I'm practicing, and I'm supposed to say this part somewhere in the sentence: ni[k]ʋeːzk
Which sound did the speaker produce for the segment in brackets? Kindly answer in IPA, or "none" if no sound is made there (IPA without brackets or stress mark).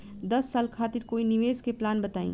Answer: none